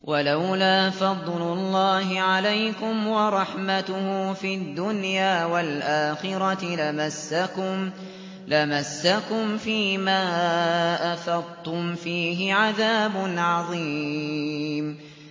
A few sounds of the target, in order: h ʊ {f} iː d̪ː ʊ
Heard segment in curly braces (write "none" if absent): f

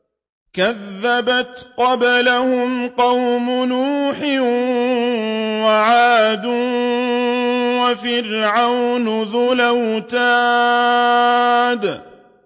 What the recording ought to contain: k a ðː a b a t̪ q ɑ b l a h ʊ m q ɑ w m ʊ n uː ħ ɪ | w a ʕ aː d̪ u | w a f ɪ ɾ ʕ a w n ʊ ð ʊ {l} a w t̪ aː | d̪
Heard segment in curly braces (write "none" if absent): l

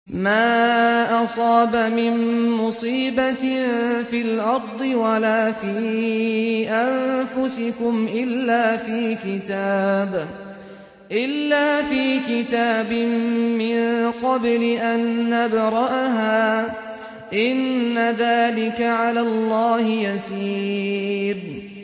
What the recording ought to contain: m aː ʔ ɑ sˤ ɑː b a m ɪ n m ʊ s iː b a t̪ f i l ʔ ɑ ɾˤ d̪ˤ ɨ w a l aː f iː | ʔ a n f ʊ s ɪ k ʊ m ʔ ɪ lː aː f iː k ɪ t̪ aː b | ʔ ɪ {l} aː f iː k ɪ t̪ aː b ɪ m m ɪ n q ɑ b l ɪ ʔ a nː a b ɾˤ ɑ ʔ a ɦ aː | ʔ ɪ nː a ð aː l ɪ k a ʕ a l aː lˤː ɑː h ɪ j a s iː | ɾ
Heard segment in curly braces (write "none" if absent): lː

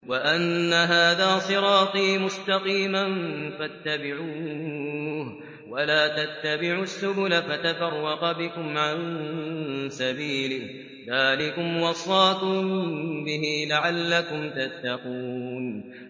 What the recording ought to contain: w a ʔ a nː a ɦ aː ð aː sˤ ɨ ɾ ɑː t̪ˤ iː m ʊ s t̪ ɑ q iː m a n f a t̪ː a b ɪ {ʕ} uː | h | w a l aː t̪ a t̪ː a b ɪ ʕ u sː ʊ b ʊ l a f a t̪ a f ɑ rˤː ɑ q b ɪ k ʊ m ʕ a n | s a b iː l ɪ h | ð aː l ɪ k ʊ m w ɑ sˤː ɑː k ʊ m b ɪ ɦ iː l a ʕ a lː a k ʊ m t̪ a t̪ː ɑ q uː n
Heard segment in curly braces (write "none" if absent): ʕ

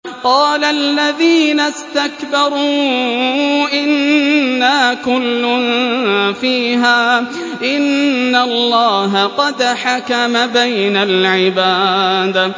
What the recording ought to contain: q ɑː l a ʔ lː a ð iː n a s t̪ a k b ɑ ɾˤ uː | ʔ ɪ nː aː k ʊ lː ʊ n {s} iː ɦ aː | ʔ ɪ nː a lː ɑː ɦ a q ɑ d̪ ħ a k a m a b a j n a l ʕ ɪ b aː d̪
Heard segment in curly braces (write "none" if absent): f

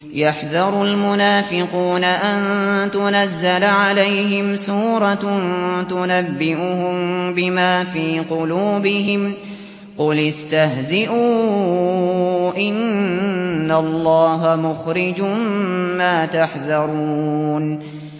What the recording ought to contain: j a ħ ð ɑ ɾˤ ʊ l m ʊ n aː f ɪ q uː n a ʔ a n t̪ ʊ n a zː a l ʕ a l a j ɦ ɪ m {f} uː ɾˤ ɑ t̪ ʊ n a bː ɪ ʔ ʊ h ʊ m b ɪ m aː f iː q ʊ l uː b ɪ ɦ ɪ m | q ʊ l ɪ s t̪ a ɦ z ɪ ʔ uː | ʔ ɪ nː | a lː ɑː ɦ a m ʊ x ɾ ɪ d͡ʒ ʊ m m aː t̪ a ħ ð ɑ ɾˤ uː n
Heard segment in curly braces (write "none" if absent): s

